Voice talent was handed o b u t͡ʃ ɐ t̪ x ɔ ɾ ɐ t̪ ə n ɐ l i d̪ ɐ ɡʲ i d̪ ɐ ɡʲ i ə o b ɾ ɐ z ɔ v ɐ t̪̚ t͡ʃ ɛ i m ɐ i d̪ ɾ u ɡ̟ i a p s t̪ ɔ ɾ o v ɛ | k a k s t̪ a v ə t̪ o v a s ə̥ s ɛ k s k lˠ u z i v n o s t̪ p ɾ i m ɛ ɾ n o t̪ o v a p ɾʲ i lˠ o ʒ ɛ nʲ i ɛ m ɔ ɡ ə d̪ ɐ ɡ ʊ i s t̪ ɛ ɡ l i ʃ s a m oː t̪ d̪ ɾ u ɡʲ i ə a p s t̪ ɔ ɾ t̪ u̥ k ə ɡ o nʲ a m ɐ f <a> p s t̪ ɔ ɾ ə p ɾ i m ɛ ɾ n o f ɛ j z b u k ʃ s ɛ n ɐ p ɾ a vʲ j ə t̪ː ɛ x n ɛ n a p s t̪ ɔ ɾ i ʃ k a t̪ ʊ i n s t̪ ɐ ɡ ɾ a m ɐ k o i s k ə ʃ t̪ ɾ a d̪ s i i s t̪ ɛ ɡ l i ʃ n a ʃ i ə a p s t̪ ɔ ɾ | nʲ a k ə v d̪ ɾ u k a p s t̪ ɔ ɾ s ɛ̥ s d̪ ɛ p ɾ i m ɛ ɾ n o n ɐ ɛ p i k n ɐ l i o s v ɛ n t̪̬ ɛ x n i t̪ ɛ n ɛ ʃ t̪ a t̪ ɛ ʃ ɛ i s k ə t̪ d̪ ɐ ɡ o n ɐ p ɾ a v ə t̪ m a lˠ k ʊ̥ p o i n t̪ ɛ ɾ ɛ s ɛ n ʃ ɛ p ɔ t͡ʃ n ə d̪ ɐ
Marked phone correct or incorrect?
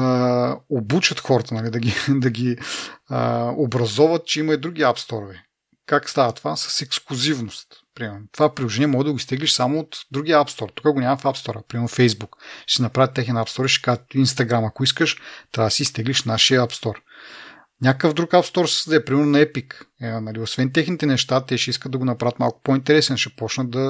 correct